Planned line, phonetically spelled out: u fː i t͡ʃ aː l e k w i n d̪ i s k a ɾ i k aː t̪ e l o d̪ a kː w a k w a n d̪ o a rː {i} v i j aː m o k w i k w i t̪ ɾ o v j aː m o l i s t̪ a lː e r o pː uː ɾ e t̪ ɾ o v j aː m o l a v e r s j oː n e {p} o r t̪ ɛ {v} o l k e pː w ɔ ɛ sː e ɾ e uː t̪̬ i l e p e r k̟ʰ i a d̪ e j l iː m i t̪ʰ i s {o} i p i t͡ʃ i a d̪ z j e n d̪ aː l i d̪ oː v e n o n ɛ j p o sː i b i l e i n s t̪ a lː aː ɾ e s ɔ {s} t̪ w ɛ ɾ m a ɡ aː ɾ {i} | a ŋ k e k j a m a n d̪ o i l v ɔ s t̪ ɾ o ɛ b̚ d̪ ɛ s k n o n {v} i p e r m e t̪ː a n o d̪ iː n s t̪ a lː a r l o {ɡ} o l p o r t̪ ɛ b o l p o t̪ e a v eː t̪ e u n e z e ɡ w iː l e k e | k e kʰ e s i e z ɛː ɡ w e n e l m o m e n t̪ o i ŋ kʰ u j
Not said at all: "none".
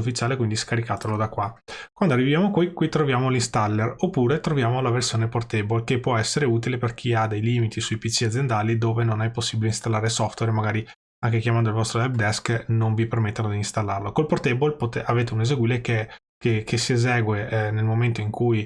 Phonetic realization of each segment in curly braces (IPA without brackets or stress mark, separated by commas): i, p, b, u, f, i, v, k